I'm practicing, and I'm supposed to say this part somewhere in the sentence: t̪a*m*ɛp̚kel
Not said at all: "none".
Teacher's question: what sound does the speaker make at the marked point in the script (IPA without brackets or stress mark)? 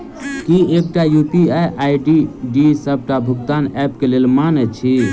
n